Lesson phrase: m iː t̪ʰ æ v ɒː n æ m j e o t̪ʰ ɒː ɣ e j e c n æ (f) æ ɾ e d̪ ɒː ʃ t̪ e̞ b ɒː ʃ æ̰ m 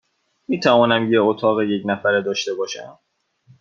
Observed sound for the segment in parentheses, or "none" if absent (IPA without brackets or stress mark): f